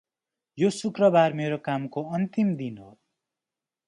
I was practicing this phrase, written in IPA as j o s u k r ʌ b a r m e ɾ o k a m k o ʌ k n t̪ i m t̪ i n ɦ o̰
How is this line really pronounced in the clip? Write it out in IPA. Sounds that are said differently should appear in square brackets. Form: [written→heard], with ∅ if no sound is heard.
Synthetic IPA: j o s u k r ʌ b a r m e ɾ o k a m k o ʌ [k→∅] n t̪ i m [t̪→d̪] i n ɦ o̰